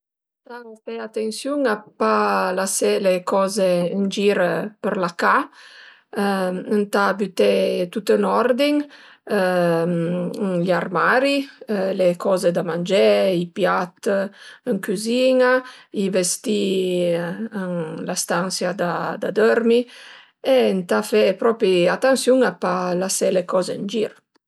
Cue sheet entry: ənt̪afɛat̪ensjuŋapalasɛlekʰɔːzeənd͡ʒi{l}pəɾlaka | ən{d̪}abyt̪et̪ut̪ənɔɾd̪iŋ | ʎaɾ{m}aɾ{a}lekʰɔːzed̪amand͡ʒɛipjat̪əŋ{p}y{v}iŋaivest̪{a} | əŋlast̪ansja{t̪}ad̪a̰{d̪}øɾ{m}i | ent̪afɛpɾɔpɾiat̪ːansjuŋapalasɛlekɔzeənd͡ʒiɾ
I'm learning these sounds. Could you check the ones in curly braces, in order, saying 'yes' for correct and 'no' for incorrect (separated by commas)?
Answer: no, no, yes, no, no, no, no, no, yes, yes